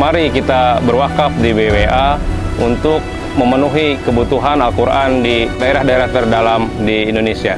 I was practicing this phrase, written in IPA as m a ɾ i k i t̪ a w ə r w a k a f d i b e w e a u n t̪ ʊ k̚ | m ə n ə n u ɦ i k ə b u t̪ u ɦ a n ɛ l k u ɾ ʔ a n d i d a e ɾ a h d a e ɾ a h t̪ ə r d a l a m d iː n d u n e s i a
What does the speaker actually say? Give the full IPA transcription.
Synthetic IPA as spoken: m a ɾ i k i t̪ a b ə r w a k a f d i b e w e a u n t̪ ʊ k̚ | m ə m ə n u ɦ i k ə b u t̪ u ɦ a n a l k u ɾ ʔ a n d i d a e ɾ a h d a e ɾ a h t̪ ə r d a l a m d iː n d o n e s i a